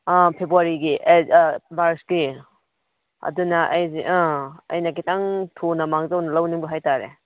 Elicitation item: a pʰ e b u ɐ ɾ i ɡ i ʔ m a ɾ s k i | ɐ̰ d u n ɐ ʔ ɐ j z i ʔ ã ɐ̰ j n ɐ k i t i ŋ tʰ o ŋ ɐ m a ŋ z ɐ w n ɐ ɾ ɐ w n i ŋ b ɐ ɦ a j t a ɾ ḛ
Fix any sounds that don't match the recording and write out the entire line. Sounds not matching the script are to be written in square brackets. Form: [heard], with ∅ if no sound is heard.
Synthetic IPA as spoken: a pʰ e b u [a] ɾ i ɡ i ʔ m a ɾ s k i | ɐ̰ d u n ɐ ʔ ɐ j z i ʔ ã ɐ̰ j n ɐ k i t [a] ŋ tʰ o [n] ɐ m a ŋ z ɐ w n ɐ [l] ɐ w n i ŋ b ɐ ɦ a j t a ɾ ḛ